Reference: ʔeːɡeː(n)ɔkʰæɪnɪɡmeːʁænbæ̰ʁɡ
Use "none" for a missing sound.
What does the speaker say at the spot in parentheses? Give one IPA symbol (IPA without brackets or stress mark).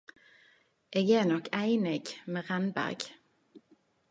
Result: n